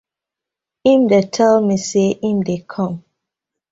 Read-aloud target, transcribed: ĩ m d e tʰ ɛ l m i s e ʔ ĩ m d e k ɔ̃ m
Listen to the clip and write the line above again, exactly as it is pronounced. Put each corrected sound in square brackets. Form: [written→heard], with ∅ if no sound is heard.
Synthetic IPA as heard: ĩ m d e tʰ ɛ l m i s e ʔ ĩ m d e [k→kʰ] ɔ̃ m